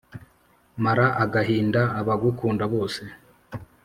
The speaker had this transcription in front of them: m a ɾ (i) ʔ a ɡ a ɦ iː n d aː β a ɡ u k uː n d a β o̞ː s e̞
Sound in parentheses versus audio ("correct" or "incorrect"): incorrect